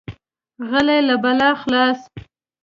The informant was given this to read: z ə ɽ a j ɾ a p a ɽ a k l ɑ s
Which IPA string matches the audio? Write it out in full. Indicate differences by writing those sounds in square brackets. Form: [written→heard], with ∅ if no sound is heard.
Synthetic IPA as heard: [z→ɣ] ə [ɽ→l] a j [ɾ→l] a [p→b] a [ɽ→l] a [k→x] l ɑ s